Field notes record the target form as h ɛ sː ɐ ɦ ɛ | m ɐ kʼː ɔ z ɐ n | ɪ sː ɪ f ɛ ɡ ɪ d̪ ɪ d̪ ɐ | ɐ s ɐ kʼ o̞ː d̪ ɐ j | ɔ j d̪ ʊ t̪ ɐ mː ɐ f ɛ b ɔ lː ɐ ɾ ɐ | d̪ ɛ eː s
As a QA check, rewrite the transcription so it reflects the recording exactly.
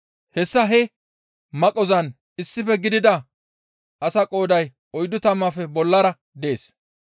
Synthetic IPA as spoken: h ɛ sː ɐ ɦ ɛ | m ɐ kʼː ɔ z ɐ n | ɪ sː ɪ f ɛ ɡ ɪ d̪ ɪ d̪ ɐ | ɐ s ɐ kʼ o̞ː d̪ ɐ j | ɔ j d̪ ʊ t̪ ɐ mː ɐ f ɛ b ɔ lː ɐ ɾ ɐ | d̪ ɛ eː s